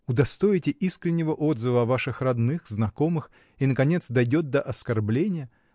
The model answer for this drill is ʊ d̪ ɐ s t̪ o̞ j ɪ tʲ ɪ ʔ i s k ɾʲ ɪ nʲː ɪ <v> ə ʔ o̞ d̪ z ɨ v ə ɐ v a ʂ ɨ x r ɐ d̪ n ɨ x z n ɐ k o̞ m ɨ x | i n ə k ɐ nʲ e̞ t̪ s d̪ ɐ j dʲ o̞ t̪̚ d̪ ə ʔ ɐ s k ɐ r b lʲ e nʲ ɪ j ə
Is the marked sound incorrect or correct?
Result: correct